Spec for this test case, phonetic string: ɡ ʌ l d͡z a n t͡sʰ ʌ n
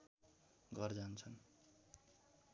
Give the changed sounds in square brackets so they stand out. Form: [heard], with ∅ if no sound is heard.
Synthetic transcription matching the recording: ɡ ʌ [r] d͡z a n t͡sʰ ʌ n